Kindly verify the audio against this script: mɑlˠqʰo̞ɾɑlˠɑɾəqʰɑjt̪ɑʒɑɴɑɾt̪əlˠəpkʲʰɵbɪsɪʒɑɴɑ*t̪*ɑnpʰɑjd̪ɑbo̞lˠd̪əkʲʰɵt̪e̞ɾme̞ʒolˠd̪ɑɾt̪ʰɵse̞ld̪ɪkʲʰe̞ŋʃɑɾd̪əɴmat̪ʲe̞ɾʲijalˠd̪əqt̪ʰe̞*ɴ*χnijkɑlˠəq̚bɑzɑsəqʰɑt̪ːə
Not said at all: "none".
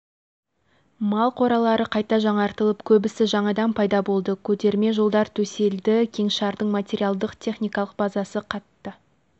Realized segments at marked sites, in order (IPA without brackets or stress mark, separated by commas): d̪, none